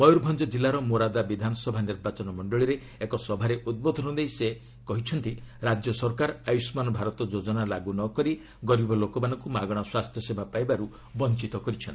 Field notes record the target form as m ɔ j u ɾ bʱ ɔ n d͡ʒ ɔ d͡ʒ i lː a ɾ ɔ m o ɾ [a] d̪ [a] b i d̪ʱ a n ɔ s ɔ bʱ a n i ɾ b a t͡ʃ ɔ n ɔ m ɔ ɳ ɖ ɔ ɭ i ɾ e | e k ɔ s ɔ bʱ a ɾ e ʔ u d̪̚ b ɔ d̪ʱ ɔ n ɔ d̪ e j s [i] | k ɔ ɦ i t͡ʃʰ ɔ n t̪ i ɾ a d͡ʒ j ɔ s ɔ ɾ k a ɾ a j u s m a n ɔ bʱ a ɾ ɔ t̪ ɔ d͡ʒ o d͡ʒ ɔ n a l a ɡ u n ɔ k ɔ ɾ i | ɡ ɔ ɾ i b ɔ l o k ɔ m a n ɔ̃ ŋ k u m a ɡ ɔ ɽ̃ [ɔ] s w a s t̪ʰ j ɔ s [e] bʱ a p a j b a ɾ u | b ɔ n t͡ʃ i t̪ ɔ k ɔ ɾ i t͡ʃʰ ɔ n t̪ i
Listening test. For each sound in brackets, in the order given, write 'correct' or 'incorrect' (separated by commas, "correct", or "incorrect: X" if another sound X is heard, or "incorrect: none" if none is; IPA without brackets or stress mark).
correct, correct, incorrect: e, correct, correct